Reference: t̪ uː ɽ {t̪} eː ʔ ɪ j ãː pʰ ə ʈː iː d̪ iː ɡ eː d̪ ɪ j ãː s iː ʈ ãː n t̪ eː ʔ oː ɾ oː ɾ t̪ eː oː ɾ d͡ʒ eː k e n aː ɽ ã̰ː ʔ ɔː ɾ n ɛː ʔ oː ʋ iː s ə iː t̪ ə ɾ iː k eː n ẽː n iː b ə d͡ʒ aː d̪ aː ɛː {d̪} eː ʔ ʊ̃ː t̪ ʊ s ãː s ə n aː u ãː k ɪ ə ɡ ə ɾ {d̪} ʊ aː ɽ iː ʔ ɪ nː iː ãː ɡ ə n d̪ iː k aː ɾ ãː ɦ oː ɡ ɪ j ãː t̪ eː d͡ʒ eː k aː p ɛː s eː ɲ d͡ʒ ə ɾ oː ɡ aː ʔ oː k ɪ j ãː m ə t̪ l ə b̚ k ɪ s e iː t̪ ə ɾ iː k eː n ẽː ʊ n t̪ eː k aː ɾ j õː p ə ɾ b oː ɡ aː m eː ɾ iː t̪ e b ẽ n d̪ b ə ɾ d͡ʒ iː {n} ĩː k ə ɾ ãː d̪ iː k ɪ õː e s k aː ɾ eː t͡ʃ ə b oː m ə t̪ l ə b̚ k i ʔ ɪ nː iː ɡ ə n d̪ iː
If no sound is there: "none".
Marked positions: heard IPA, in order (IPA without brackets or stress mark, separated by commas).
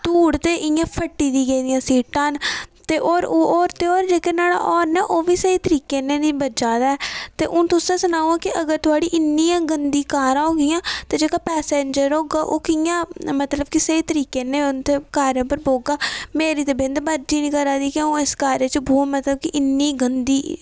t̪, t̪, t̪, n